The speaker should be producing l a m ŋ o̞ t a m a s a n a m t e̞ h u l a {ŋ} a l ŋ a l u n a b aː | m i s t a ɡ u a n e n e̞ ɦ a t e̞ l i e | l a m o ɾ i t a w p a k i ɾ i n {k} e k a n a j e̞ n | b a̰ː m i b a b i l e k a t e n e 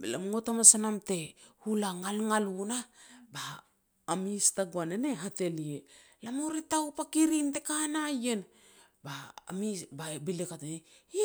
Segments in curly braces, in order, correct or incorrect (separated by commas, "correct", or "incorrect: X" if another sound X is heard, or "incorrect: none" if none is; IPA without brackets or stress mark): correct, incorrect: t